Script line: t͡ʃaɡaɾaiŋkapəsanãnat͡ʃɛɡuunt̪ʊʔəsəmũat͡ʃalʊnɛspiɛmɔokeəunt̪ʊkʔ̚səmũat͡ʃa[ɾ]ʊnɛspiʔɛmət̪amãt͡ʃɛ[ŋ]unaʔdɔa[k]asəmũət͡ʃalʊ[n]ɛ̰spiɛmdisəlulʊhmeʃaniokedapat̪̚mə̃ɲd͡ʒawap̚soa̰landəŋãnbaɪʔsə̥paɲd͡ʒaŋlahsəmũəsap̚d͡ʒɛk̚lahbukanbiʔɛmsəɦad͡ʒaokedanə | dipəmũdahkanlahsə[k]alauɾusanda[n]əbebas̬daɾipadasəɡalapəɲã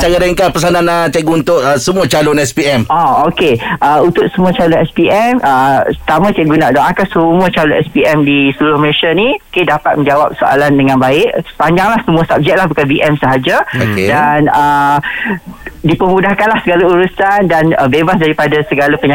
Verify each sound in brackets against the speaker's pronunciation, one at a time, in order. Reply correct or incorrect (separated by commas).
incorrect, incorrect, correct, correct, incorrect, correct